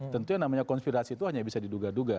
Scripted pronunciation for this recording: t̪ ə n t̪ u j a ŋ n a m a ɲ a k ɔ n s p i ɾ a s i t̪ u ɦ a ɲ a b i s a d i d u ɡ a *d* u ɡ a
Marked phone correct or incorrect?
correct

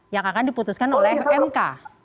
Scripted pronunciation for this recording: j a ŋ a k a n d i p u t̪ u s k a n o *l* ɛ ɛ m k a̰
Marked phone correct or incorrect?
correct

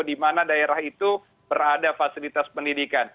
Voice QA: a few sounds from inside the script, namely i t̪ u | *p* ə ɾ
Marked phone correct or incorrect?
incorrect: b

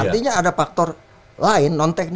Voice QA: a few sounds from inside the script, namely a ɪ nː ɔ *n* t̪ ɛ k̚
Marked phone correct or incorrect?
correct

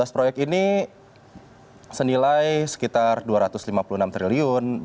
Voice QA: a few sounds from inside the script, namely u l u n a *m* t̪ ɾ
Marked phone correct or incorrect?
correct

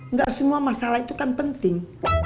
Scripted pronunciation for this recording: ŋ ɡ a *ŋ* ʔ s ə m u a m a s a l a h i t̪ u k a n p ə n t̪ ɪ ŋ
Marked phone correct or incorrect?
incorrect: none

